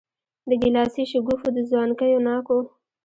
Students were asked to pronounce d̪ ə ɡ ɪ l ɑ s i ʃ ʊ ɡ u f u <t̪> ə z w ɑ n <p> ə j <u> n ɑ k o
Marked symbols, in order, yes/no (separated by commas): no, no, no